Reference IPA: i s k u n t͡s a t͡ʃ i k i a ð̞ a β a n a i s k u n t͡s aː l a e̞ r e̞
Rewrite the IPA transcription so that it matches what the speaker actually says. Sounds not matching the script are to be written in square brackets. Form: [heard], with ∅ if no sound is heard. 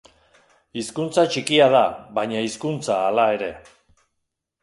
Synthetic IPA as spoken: i s k u n t͡s a t͡ʃ i k i a ð̞ a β a [ɲ] a i s k u n t͡s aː l a e̞ [ɾ] e̞